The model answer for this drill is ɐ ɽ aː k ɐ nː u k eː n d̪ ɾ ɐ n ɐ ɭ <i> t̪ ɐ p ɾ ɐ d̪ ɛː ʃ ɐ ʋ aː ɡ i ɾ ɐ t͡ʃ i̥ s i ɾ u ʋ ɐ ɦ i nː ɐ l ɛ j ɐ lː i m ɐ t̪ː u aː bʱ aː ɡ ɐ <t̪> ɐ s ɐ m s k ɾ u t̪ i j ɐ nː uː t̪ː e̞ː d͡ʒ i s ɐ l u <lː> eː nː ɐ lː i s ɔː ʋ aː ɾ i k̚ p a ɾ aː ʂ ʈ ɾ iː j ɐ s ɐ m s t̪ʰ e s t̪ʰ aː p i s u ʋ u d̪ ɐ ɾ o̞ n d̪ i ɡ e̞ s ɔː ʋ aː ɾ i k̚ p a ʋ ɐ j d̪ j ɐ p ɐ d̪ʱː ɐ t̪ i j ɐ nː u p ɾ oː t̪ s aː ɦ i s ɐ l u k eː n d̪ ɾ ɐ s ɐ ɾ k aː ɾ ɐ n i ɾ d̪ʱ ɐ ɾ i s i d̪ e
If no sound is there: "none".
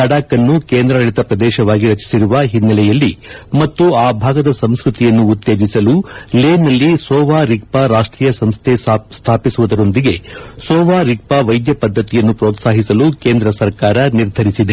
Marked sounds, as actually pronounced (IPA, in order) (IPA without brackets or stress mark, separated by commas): i, d̪, l